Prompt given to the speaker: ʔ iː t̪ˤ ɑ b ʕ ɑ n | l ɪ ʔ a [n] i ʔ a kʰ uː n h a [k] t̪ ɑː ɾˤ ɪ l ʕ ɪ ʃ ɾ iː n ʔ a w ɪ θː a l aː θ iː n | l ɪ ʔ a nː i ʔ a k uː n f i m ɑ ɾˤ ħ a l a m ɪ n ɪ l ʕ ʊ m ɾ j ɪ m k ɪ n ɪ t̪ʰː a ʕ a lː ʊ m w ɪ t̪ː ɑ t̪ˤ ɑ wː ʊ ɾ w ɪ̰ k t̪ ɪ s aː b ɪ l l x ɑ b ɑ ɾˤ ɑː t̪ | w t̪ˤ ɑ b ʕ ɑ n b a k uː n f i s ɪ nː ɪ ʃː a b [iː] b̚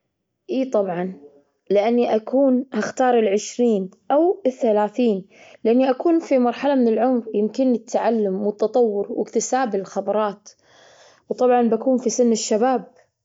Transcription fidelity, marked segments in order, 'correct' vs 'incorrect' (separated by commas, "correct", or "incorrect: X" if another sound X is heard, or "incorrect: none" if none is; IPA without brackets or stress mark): incorrect: nː, incorrect: x, incorrect: aː